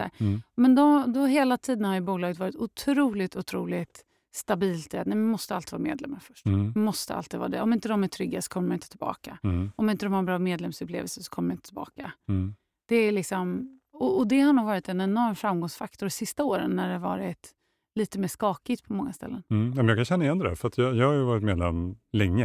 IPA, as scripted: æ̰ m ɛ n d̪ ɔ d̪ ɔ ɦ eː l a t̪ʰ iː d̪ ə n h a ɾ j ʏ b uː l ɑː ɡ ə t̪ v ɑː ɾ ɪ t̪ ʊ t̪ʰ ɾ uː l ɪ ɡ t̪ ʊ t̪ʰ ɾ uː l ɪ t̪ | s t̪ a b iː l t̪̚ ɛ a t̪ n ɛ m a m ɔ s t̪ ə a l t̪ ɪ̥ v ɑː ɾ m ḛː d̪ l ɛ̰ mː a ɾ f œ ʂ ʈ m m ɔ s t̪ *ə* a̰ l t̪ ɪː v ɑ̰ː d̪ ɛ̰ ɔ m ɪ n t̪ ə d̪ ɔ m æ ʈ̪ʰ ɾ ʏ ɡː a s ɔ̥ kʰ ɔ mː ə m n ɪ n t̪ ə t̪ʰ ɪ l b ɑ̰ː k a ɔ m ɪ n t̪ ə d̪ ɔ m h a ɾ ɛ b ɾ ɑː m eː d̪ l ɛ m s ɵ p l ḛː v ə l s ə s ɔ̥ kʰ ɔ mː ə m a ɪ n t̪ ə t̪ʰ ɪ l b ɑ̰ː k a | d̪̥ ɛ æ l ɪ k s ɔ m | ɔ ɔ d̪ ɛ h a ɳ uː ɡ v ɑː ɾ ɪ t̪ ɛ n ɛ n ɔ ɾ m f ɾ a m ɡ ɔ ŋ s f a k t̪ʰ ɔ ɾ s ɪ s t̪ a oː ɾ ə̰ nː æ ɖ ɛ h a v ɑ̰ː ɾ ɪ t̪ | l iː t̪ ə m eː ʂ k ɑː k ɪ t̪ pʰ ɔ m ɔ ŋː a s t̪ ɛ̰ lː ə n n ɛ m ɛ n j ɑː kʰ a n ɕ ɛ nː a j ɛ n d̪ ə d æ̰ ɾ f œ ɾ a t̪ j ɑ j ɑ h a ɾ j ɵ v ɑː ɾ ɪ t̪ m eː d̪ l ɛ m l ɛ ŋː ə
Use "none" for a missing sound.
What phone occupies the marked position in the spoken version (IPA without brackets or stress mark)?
ə